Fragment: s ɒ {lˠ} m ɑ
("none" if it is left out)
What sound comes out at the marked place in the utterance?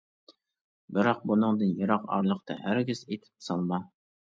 lˠ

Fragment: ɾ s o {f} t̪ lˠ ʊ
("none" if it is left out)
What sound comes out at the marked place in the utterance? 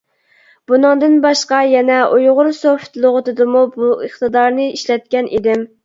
f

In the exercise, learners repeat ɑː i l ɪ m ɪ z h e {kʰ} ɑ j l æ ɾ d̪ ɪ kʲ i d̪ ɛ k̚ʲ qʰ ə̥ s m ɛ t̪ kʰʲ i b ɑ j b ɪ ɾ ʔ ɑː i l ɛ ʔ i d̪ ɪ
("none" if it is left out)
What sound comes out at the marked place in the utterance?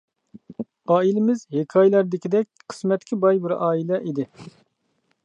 kʰ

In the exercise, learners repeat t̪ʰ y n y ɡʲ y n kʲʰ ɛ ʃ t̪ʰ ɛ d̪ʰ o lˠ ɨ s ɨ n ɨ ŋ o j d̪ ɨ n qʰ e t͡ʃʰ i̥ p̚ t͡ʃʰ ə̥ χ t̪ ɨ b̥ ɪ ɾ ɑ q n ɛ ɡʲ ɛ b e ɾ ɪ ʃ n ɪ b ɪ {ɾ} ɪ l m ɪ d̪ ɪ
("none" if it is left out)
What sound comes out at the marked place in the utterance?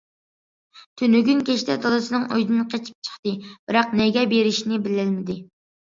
l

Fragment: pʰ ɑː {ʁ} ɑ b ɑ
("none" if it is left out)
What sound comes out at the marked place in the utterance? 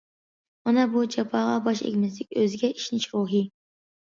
ʁ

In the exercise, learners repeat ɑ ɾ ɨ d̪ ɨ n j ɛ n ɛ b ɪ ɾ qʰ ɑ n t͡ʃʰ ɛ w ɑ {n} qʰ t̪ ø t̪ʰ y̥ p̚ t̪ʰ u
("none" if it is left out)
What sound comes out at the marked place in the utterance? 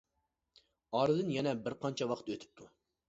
none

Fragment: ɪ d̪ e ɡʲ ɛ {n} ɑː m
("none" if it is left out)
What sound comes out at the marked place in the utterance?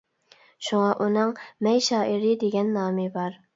nː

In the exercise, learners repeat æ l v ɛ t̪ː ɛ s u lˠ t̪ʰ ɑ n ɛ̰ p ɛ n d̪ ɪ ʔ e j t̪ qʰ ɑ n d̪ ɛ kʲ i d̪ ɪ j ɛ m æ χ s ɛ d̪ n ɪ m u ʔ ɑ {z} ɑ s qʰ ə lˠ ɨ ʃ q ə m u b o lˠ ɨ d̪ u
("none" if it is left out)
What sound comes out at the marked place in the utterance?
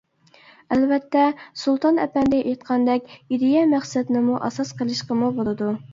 s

